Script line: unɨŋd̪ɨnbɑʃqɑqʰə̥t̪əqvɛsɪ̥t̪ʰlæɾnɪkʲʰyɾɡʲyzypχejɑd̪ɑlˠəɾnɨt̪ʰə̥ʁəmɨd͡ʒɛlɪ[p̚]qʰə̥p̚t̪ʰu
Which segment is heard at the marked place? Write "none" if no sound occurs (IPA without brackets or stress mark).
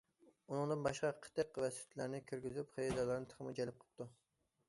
p̚